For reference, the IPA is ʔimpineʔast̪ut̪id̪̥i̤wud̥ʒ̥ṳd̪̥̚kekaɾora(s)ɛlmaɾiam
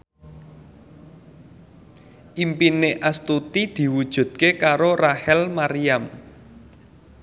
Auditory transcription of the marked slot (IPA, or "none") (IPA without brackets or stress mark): h